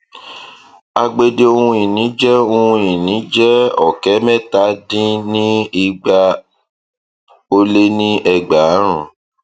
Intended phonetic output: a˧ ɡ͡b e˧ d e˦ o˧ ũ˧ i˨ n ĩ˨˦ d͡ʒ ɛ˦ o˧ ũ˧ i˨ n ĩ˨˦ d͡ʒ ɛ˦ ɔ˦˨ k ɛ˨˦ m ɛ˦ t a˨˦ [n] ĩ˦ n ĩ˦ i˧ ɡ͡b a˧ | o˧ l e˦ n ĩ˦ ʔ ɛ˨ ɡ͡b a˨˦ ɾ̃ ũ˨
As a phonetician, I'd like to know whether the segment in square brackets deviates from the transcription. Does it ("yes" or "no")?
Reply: yes